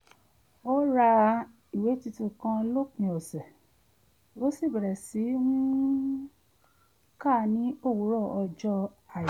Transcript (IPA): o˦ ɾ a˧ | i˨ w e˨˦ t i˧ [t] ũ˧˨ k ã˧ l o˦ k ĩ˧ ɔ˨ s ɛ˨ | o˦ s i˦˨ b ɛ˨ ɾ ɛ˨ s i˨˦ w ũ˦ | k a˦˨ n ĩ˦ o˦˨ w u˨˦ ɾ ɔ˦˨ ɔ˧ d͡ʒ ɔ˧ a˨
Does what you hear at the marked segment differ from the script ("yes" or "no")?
no